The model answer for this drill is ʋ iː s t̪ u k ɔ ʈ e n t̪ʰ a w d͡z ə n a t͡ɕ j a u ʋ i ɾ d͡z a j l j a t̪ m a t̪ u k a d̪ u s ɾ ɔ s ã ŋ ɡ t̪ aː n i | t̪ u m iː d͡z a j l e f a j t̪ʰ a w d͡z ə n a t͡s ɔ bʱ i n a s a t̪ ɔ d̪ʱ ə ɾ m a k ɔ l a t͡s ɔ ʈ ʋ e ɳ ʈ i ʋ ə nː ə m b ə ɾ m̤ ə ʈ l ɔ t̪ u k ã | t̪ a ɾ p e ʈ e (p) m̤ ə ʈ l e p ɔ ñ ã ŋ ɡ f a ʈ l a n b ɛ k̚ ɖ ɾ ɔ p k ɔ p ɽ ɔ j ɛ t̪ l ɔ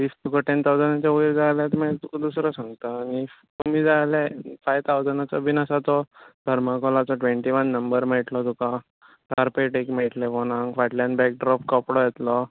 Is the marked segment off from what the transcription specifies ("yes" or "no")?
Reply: yes